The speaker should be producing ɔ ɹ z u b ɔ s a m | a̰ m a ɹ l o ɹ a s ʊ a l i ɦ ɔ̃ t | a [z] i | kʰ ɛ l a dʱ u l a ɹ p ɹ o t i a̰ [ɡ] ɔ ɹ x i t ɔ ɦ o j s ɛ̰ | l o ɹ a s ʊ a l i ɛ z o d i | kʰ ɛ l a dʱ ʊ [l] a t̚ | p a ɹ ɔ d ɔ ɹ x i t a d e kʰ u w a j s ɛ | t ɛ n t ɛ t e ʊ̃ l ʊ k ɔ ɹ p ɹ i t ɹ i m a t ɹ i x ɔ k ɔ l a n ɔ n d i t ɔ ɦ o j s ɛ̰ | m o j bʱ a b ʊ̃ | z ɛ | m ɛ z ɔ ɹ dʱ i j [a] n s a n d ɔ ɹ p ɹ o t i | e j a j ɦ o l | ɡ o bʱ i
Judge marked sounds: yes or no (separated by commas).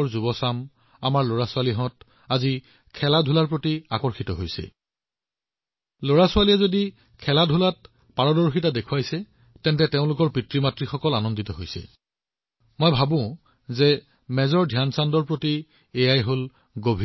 yes, no, yes, yes